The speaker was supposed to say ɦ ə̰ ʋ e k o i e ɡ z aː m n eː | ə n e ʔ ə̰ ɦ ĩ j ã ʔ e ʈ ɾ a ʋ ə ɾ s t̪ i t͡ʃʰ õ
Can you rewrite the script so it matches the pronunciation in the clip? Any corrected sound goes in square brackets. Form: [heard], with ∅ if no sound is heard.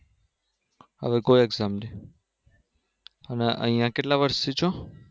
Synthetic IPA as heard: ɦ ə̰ ʋ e k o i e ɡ z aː m n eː | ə n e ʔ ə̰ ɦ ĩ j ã [k] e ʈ [l] a ʋ ə ɾ s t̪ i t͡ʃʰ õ